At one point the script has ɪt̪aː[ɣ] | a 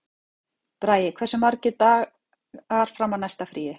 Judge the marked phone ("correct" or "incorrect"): correct